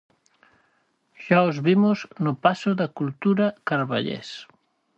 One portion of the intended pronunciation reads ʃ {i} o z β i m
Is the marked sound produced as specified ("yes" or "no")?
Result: no